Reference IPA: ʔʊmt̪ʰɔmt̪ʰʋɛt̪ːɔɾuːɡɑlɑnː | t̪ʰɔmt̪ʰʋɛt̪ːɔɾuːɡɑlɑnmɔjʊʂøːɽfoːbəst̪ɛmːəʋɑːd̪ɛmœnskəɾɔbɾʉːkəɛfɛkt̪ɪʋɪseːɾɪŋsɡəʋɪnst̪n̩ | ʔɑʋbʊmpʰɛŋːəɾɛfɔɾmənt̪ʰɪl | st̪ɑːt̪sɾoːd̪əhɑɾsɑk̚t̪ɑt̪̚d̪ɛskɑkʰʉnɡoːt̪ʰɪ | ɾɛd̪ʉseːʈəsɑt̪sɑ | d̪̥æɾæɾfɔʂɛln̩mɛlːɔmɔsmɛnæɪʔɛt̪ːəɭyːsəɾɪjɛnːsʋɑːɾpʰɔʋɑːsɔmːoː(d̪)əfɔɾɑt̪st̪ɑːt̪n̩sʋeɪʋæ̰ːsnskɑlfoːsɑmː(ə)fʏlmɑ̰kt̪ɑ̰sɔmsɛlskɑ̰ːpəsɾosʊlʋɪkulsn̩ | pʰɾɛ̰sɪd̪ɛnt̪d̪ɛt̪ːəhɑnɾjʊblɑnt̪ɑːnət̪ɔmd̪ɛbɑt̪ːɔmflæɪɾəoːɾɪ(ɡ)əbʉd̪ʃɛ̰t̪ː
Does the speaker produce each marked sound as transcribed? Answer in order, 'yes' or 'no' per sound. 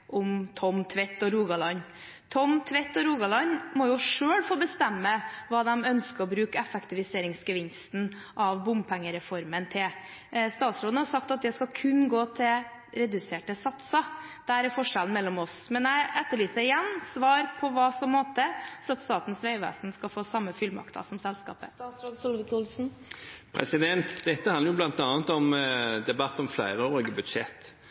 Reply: no, yes, yes

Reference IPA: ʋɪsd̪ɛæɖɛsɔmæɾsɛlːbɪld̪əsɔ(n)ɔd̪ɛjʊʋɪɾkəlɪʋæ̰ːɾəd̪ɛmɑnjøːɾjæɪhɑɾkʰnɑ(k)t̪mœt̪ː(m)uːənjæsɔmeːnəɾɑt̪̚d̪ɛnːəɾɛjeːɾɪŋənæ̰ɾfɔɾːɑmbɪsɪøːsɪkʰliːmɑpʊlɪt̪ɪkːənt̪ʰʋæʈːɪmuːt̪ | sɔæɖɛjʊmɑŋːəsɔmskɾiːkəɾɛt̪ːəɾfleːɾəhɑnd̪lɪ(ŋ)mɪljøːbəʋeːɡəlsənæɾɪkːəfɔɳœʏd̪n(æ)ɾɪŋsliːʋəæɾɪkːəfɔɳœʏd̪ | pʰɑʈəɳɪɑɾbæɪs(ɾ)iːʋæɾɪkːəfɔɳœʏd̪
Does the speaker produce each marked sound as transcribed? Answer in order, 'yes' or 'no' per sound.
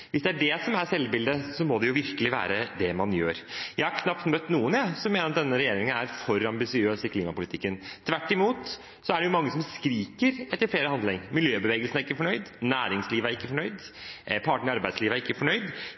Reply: no, no, no, yes, no, no

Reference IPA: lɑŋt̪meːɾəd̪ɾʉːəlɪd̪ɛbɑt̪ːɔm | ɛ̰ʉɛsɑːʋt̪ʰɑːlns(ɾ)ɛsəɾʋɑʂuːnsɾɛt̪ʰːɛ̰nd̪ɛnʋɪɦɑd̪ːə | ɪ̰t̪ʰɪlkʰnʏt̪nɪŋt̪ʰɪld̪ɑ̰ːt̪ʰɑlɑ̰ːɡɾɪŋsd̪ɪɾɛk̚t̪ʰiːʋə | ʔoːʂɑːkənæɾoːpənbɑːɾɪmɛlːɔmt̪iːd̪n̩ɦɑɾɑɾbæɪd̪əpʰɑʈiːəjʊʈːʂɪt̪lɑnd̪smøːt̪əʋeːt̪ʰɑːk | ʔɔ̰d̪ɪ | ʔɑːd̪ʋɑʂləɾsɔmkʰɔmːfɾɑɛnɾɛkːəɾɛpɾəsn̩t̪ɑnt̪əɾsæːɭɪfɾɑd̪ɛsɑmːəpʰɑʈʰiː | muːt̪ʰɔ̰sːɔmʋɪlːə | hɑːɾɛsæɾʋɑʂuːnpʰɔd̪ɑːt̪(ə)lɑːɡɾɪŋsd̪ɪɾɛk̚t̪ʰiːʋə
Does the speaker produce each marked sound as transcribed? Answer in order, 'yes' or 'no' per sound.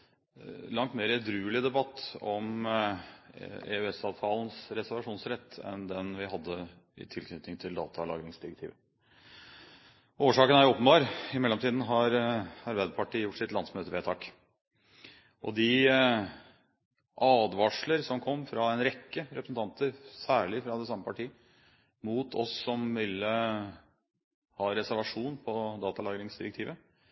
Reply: yes, no

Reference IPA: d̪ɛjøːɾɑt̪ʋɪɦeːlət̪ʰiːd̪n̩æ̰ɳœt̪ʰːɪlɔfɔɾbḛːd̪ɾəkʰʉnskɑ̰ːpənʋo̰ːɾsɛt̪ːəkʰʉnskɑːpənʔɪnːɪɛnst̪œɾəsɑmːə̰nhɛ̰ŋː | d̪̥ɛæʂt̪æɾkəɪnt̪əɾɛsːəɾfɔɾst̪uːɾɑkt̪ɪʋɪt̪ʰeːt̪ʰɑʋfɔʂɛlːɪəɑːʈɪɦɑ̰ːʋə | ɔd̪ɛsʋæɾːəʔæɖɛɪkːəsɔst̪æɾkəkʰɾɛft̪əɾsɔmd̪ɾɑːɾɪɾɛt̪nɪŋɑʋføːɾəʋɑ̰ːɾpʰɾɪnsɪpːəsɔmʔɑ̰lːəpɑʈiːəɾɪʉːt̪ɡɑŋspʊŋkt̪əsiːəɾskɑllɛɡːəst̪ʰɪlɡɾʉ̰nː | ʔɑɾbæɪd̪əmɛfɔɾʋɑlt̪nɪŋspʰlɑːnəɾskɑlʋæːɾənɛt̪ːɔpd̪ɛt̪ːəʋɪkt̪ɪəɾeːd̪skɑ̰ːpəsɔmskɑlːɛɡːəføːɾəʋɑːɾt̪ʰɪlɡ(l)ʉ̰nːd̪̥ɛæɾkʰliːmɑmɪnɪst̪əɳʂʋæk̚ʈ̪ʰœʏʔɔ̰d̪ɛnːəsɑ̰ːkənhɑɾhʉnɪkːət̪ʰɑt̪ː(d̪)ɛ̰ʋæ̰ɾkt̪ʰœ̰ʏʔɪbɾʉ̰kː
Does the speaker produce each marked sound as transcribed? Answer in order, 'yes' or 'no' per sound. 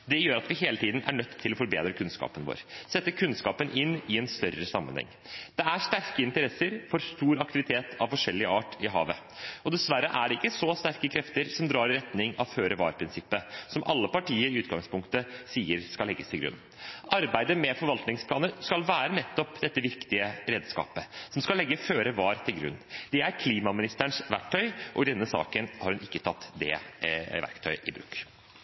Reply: no, yes

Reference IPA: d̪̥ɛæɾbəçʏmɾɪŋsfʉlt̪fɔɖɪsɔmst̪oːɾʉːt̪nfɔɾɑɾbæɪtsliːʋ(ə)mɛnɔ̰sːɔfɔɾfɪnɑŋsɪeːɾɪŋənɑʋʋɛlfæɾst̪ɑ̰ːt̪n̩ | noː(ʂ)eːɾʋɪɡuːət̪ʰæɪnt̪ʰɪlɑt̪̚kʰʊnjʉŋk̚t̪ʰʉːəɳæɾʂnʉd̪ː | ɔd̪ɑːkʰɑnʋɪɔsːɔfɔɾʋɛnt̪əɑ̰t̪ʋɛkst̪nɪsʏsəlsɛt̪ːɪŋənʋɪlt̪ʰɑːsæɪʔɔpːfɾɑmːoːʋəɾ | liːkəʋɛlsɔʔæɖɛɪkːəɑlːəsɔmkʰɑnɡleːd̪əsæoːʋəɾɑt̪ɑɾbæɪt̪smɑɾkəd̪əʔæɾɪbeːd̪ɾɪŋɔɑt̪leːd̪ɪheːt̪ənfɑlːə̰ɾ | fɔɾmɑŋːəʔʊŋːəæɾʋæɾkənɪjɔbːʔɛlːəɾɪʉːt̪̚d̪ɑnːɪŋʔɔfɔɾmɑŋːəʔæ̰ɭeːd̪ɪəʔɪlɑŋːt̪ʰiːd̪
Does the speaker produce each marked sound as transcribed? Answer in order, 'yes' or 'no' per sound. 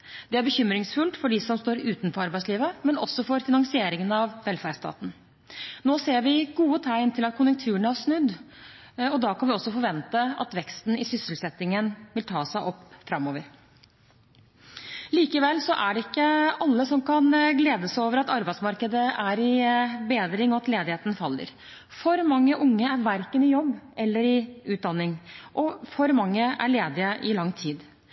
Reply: yes, no

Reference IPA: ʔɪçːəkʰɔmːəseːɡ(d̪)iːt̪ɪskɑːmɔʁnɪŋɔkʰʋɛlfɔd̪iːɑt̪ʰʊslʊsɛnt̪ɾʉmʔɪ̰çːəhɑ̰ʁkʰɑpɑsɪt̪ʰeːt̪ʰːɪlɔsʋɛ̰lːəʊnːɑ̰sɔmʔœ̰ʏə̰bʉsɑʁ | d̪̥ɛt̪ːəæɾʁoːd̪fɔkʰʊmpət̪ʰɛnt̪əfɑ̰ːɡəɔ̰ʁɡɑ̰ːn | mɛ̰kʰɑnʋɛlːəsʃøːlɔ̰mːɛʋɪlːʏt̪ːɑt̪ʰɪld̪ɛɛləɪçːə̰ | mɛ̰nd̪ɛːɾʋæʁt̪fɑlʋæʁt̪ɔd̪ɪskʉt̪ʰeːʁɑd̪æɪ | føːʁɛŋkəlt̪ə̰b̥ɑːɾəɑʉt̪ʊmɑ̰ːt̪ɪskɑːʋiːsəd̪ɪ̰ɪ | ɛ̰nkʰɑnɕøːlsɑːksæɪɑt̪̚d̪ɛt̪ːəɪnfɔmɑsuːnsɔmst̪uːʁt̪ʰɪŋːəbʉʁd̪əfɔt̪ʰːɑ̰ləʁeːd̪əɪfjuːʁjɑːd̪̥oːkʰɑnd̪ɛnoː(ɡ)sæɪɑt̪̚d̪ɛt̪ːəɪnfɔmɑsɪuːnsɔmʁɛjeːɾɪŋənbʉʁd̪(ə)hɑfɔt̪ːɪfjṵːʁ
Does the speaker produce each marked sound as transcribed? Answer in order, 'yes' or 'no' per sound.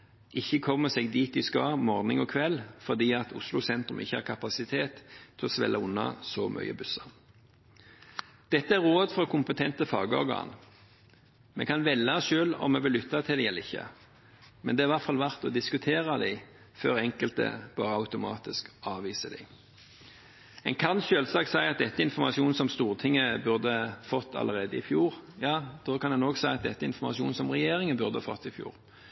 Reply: yes, yes, yes

